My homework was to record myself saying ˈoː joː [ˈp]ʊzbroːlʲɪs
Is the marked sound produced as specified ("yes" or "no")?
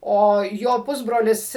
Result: yes